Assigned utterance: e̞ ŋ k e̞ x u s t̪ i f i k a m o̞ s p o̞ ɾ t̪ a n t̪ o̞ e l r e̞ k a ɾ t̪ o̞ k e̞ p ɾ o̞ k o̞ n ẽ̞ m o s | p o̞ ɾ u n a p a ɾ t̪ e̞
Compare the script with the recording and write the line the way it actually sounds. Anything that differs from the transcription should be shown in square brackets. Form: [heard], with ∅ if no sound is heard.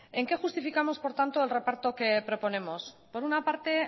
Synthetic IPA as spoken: e̞ ŋ k e̞ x u s t̪ i f i k a m o̞ s p o̞ ɾ t̪ a n t̪ o̞ e l r e̞ [p] a ɾ t̪ o̞ k e̞ p ɾ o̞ [p] o̞ n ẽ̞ m o s | p o̞ ɾ u n a p a ɾ t̪ e̞